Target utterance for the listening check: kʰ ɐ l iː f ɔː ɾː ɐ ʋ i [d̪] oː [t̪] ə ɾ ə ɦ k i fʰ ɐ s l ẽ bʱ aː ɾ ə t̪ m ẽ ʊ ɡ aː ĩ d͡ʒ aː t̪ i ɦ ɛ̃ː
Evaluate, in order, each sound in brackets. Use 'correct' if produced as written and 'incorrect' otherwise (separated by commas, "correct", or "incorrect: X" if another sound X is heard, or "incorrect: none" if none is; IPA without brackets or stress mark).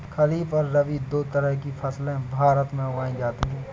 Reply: correct, correct